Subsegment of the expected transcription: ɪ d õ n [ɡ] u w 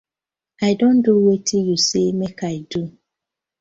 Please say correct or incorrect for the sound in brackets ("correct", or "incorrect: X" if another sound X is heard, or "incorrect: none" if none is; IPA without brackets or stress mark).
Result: incorrect: d